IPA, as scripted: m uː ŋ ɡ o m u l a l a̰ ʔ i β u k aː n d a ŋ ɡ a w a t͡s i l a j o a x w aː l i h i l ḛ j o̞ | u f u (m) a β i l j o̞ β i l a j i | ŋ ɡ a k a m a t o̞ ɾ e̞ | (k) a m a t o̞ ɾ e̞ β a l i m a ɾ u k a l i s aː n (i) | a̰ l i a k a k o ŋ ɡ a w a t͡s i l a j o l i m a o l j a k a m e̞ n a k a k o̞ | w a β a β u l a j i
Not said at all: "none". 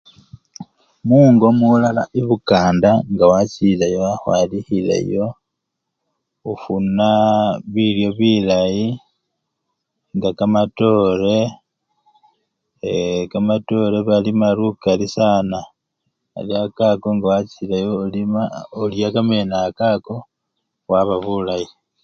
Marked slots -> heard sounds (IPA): n, k, a

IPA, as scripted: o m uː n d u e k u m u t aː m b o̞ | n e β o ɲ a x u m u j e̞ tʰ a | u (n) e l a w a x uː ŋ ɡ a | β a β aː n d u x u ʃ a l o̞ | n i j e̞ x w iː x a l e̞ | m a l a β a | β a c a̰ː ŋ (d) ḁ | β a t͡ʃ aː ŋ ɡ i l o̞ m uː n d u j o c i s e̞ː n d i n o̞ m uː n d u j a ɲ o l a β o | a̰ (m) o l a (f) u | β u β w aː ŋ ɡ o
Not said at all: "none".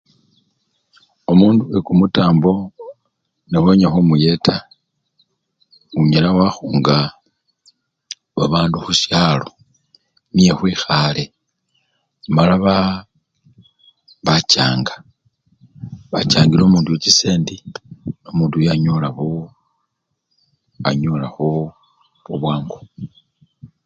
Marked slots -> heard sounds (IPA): ɲ, ɡ, ɲ, x

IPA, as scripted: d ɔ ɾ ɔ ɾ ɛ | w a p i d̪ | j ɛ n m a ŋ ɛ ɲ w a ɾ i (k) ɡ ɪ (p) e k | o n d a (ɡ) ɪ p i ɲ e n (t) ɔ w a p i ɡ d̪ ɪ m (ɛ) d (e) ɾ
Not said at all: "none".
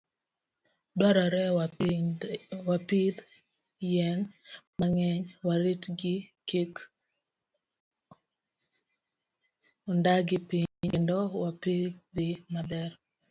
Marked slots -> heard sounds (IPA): t, k, ɡ, d, a, ɛ

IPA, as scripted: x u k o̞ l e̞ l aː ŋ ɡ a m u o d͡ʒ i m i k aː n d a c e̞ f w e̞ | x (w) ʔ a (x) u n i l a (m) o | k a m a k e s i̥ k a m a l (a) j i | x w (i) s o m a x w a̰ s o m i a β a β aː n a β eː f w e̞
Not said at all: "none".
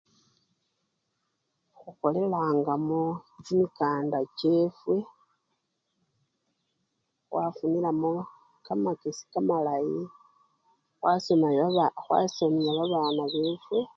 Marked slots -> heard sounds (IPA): w, f, m, a, a

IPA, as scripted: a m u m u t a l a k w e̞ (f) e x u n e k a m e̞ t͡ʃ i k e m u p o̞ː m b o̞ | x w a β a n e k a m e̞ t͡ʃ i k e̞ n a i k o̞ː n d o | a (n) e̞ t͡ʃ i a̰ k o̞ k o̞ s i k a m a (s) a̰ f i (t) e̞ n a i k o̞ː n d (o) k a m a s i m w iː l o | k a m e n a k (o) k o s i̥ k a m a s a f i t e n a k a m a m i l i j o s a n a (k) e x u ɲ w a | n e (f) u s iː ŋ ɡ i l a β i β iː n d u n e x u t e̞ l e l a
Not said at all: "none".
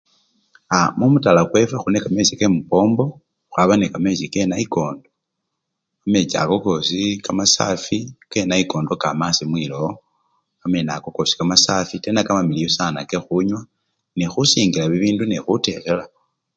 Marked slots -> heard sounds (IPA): f, m, s, k, o, o, k, x

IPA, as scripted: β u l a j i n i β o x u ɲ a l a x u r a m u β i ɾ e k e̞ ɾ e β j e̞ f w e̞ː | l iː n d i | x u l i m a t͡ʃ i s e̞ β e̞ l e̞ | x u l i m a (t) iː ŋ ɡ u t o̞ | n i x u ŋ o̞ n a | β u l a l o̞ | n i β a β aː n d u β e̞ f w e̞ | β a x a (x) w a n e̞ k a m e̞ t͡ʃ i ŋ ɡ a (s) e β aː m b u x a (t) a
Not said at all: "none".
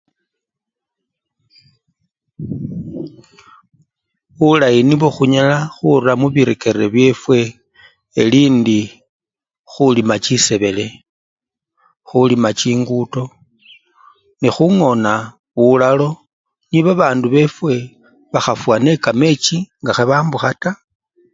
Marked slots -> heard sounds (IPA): t͡ʃ, f, x, t

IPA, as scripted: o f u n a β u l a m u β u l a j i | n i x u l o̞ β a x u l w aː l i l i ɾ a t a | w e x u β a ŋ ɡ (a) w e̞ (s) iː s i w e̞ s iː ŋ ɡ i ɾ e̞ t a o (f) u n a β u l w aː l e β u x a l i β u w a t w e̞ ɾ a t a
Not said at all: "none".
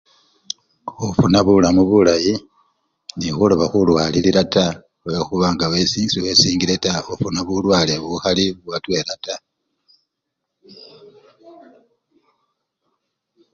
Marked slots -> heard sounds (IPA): a, s, f

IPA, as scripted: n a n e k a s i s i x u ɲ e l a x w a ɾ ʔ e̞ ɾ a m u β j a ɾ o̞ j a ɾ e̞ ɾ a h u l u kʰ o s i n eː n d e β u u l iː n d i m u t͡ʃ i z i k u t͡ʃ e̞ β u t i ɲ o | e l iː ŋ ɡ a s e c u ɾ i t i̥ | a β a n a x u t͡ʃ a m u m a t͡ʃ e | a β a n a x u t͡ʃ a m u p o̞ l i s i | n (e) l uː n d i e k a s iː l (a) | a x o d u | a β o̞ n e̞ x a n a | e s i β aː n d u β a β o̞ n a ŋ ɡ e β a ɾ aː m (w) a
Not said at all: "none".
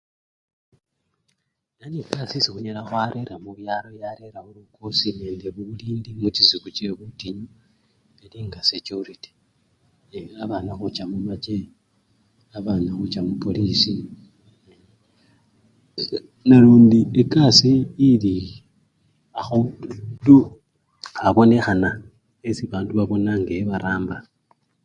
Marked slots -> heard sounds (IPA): a, i, b

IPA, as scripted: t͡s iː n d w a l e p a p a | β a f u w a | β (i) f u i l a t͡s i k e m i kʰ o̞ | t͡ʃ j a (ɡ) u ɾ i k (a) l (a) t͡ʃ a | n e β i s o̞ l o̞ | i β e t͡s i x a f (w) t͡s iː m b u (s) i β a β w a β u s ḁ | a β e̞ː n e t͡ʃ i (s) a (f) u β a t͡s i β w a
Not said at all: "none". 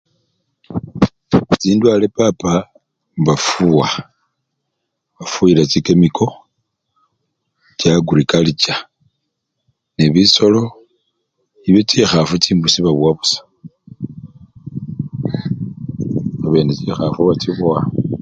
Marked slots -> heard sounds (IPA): a, ɡ, a, i, u, s, x, f

